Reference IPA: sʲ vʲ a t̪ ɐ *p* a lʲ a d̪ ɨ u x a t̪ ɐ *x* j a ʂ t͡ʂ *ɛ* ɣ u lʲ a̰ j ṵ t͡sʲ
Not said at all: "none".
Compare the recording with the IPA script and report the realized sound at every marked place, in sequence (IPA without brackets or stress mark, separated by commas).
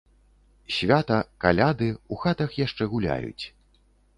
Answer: k, x, ɛ